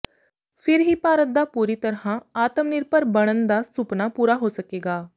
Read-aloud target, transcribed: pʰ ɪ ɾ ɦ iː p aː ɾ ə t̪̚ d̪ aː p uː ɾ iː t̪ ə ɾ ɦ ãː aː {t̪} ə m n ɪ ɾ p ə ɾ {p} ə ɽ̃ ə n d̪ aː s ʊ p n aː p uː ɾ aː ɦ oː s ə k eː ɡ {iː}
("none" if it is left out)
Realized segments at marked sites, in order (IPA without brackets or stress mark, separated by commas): t̪, b, aː